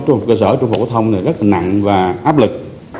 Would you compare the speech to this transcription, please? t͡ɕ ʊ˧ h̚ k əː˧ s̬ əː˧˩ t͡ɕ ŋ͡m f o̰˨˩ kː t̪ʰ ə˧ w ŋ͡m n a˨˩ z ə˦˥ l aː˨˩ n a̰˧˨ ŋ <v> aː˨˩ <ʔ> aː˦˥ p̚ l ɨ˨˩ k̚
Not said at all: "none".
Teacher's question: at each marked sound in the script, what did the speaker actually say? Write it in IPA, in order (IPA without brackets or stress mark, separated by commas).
v, ʔ